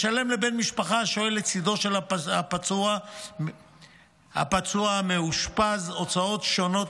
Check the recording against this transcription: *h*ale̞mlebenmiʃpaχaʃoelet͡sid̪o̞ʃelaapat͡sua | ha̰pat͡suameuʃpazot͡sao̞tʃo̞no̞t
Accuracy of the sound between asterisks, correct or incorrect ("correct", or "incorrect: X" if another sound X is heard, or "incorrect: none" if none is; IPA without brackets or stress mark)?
incorrect: ʃ